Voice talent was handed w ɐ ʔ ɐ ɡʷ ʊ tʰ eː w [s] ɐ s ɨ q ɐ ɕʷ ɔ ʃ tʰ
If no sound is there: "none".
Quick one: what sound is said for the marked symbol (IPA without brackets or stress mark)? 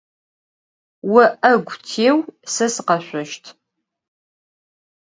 s